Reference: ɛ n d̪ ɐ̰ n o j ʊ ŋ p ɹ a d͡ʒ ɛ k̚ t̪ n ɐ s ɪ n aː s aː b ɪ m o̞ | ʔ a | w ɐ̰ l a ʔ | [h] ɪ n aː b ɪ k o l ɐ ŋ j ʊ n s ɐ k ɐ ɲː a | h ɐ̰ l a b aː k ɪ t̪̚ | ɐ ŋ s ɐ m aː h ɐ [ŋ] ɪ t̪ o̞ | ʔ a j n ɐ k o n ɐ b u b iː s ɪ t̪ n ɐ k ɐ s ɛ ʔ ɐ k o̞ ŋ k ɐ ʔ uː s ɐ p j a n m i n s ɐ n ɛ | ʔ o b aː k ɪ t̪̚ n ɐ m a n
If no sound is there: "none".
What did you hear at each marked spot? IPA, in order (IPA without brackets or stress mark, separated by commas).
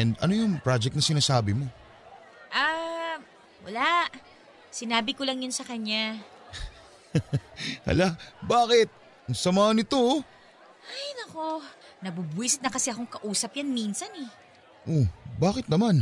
s, n